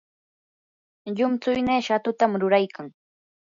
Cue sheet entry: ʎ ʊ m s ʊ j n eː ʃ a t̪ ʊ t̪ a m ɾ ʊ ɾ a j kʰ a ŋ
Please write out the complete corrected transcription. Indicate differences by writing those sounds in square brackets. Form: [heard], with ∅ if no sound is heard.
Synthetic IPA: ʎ ʊ m [t͡s] ʊ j n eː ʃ a t̪ ʊ t̪ a m ɾ ʊ ɾ a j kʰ a ŋ